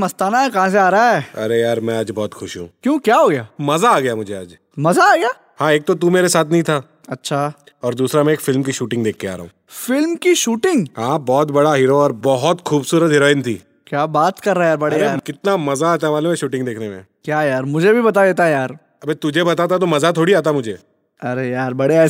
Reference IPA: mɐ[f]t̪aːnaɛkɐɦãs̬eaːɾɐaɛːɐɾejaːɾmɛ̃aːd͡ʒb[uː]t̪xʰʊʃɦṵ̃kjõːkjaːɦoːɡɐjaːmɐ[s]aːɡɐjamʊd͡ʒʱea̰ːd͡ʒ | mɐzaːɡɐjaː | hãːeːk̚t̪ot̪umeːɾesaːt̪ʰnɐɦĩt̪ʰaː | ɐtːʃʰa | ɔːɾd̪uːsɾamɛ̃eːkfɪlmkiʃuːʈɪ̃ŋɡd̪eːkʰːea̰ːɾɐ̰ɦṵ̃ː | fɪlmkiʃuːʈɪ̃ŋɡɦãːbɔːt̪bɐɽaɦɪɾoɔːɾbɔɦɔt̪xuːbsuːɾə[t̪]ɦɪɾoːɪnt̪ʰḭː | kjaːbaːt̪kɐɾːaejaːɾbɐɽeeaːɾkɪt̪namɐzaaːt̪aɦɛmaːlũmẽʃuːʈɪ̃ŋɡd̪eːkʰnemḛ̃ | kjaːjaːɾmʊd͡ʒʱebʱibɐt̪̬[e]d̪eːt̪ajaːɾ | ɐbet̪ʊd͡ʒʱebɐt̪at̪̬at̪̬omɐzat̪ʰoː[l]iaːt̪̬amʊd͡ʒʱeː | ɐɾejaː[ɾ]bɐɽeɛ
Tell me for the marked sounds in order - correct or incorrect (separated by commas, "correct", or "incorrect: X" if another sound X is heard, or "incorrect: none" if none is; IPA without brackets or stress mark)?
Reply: incorrect: s, incorrect: ɔː, incorrect: z, correct, incorrect: a, incorrect: ɽ, correct